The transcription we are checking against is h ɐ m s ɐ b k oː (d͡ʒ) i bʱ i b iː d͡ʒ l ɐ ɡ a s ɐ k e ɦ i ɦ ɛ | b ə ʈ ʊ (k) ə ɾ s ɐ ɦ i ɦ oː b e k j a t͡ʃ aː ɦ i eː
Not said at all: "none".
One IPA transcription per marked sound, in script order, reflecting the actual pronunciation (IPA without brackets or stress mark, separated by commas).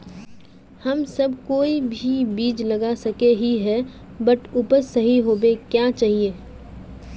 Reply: none, p